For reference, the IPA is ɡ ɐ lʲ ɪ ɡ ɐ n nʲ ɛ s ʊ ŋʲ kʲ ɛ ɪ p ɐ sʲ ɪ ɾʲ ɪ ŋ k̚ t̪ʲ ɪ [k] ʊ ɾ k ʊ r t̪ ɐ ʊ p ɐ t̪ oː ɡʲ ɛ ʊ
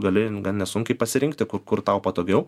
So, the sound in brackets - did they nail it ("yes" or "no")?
yes